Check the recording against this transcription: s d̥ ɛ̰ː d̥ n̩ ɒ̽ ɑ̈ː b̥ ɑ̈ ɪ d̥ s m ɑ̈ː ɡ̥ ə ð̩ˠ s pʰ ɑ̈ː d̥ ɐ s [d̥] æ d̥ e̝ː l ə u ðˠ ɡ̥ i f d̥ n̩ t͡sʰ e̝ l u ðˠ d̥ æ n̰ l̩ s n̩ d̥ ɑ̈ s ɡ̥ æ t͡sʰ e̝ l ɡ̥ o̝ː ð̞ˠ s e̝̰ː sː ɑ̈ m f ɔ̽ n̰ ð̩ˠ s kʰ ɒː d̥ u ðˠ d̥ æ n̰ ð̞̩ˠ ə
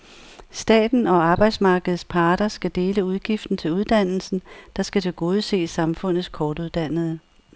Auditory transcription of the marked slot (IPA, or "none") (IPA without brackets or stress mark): ɡ̥